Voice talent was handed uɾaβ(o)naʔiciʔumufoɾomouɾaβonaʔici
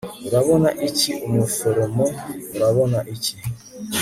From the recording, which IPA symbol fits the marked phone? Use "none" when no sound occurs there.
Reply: o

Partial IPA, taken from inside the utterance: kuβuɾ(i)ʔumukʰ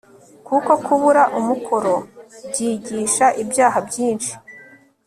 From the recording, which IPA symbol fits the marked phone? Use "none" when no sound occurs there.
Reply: a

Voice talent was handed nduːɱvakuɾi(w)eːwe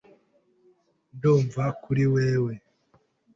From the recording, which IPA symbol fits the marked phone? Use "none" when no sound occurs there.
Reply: w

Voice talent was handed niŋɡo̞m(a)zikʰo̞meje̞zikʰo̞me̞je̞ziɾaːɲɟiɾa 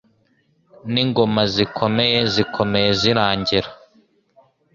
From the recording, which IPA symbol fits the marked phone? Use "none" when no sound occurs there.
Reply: a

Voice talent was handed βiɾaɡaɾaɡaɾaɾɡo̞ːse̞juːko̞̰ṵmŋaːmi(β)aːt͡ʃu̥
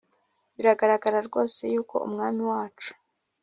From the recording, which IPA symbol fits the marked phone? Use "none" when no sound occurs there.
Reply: w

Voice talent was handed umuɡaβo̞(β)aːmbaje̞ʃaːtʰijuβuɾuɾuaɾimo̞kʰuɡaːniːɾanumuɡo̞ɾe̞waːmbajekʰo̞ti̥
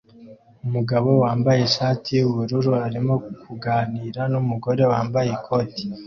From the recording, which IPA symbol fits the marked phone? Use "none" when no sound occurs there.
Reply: w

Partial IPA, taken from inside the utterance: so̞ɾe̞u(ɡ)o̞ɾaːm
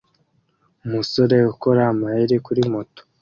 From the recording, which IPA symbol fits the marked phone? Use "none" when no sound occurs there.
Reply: k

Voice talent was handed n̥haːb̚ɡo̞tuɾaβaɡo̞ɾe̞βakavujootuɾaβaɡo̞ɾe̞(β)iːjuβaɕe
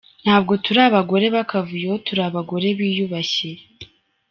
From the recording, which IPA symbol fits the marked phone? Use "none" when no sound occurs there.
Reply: β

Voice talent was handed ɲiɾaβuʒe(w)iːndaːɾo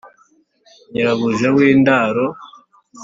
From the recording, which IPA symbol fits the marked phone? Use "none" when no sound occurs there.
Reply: w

